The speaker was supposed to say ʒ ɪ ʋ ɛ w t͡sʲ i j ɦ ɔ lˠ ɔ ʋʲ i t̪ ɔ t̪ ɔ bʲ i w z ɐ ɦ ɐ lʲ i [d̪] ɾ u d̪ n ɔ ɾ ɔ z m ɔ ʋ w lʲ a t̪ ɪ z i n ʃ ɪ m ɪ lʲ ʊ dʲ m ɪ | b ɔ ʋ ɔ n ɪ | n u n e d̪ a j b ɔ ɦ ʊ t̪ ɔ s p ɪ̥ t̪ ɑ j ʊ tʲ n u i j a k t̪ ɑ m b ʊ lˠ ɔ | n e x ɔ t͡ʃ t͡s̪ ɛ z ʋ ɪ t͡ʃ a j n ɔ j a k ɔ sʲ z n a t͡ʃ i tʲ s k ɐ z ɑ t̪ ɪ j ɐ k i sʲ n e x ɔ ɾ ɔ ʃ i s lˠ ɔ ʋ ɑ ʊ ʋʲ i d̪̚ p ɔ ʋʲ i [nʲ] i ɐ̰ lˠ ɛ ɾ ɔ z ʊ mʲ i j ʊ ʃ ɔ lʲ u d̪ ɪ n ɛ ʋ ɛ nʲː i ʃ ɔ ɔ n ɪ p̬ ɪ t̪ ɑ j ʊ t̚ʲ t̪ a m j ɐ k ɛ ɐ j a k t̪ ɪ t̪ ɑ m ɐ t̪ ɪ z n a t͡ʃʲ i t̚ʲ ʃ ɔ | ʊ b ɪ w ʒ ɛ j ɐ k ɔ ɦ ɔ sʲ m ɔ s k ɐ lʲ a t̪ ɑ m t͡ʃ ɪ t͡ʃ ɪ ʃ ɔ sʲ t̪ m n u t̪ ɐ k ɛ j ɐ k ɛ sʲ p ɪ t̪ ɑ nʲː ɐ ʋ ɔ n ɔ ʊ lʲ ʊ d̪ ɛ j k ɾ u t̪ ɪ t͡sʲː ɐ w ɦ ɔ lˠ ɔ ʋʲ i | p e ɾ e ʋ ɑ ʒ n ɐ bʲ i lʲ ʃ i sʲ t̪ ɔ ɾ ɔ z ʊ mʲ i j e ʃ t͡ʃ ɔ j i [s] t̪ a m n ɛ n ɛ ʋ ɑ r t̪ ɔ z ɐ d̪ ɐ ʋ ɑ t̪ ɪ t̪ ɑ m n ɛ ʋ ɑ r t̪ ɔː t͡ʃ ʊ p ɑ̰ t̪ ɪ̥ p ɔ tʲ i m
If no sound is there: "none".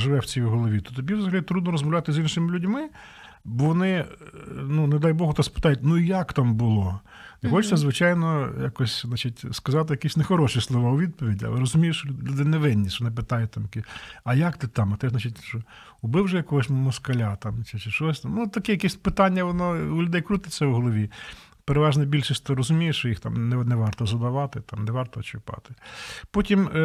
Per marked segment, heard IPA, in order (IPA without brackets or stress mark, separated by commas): t̪, dʲ, x